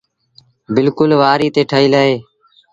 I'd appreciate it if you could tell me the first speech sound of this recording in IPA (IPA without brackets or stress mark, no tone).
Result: b